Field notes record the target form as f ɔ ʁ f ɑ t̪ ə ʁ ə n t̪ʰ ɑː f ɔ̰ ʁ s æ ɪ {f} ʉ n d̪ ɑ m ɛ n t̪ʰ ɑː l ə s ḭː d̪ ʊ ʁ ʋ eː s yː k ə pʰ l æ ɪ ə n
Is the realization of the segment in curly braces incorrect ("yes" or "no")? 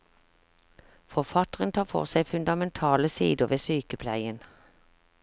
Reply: no